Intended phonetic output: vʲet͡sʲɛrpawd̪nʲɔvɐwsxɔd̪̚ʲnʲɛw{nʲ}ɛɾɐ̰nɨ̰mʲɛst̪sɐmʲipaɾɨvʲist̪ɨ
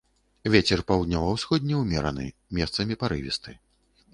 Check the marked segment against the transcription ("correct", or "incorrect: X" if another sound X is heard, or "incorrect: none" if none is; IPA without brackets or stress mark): incorrect: mʲ